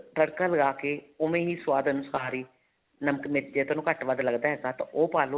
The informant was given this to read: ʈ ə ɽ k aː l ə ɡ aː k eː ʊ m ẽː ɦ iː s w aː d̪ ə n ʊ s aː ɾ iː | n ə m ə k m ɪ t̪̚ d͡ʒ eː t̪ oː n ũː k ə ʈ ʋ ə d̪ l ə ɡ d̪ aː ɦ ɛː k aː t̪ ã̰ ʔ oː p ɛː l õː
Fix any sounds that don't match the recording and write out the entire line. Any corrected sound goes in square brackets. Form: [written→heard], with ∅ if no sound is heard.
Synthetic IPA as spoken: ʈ ə ɽ k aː l ə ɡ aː k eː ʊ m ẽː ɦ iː s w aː d̪ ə n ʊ s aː ɾ iː | n ə m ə k m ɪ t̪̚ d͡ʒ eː t̪ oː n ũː k ə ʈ ʋ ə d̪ l ə ɡ d̪ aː ɦ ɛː [k→ɡ] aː t̪ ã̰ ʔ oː p [ɛː→aː] l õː